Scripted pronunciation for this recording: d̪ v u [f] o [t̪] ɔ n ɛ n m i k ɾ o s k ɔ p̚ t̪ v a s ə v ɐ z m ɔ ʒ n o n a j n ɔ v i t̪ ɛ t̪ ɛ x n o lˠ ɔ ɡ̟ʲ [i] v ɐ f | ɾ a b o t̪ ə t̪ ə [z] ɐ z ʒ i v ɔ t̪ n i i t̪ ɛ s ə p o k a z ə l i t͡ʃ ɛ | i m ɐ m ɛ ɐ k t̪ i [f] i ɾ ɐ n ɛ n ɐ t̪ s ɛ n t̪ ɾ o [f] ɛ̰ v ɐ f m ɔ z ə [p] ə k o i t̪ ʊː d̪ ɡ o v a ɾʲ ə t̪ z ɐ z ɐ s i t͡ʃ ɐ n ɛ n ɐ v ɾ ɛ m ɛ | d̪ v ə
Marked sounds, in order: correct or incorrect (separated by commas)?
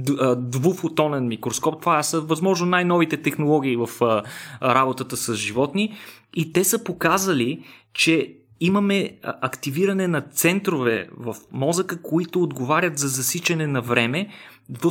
correct, correct, incorrect, incorrect, incorrect, incorrect, incorrect